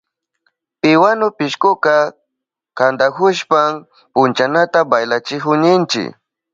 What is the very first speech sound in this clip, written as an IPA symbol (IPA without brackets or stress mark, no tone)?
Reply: p